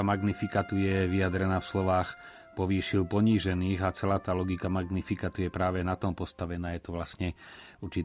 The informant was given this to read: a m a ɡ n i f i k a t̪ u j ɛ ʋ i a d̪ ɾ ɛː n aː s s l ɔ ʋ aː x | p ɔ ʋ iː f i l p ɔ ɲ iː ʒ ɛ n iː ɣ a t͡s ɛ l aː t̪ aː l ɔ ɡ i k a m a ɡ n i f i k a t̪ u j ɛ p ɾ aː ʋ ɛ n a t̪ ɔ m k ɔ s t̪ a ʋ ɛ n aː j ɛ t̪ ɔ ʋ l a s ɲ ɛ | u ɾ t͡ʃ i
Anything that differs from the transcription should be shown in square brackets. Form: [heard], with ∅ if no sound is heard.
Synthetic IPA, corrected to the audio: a m a ɡ n i f i k a t̪ u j ɛ ʋ i a d̪ ɾ [ɛ] n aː [f] s l ɔ ʋ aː x | p ɔ ʋ iː [ʃ] i l p ɔ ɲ iː ʒ ɛ n iː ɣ a t͡s ɛ l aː t̪ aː l ɔ ɡ i k a m a ɡ n i f i k a t̪ u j ɛ p ɾ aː ʋ ɛ n a t̪ ɔ m [p] ɔ s t̪ a ʋ ɛ n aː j ɛ t̪ ɔ ʋ l a s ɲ ɛ | u ɾ t͡ʃ i